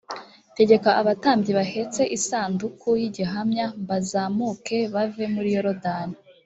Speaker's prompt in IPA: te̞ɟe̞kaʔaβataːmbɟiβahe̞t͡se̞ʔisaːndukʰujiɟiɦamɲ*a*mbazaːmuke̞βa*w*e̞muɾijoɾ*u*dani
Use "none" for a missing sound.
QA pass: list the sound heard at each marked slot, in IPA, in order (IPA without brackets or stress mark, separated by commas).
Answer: a, v, o